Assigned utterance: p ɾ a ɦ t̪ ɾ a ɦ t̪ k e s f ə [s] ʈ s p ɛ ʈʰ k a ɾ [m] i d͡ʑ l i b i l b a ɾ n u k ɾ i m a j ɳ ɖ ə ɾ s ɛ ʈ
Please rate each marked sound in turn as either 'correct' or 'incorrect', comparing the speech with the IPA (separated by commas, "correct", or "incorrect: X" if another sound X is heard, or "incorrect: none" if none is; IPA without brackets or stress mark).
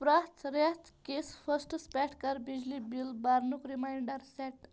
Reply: correct, incorrect: b